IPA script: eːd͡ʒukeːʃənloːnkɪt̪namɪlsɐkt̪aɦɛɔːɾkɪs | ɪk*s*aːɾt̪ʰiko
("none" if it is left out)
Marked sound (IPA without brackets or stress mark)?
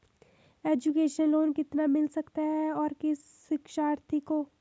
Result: ʃ